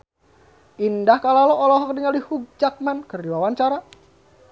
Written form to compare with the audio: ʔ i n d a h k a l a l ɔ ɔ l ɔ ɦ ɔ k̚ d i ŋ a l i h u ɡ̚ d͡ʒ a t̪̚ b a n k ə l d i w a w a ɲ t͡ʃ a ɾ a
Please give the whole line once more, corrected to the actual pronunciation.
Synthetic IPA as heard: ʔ i n d a h k a l a l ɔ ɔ l ɔ ɦ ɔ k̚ d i ŋ a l i h u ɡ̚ d͡ʒ a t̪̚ m a n k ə r d i w a w a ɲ t͡ʃ a ɾ a